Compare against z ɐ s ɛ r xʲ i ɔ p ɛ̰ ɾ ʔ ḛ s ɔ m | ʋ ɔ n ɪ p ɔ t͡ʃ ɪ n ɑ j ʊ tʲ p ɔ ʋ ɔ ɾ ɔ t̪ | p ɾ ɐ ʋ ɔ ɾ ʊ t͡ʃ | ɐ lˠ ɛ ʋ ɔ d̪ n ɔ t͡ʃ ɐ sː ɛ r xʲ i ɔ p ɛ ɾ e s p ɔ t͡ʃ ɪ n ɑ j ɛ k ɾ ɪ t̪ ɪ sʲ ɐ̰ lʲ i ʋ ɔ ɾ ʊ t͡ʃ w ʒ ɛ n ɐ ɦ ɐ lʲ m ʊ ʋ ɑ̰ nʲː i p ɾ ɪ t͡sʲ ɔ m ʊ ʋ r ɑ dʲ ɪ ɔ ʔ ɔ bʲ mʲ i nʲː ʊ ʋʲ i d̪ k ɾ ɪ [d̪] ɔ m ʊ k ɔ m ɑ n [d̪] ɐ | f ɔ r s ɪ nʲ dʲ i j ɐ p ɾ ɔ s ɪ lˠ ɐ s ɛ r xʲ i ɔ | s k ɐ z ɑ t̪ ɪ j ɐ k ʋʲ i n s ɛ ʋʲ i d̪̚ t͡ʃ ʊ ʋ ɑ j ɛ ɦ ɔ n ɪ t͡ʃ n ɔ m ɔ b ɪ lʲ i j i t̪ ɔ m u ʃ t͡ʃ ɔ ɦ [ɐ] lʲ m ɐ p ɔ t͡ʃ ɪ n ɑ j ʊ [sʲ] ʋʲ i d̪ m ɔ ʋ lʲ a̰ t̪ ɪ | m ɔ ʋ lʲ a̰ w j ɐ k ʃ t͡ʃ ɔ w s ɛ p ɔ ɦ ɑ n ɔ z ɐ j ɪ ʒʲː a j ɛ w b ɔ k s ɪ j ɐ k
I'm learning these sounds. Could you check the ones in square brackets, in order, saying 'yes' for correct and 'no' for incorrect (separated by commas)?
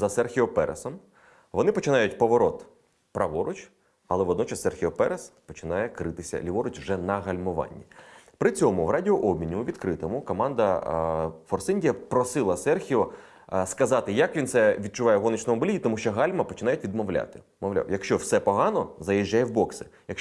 no, yes, no, no